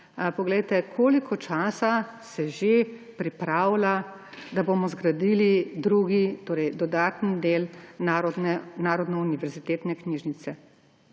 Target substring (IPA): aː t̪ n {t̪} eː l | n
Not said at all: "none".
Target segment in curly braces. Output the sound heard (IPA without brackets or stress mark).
d̪